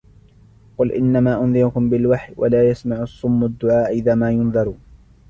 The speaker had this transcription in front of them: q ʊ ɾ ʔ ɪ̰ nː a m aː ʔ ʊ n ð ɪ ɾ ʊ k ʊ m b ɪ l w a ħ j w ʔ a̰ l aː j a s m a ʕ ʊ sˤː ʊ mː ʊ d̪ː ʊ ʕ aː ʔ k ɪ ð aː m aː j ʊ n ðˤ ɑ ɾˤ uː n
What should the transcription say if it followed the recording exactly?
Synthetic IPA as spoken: q ʊ l ʔ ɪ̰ nː a m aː ʔ ʊ n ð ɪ ɾ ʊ k ʊ m b ɪ l w a ħ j w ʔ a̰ l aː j a s m a ʕ ʊ sˤː ʊ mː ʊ d̪ː ʊ ʕ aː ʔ ʔ ɪ ð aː m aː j ʊ n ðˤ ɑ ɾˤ uː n